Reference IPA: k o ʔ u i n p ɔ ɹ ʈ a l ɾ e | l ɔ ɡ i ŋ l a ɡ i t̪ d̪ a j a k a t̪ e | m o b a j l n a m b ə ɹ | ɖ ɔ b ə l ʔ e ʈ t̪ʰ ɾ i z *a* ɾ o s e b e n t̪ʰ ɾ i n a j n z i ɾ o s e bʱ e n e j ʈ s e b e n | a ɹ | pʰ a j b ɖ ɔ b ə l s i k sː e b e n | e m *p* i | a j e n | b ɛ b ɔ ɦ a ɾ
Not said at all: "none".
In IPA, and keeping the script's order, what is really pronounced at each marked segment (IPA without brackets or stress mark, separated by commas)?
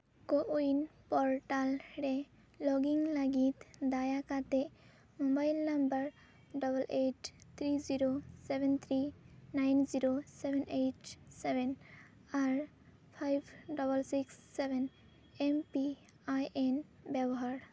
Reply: i, p